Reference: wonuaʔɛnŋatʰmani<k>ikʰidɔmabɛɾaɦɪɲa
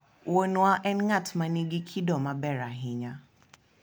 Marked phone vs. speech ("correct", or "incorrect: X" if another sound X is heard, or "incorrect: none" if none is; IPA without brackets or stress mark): incorrect: ɡ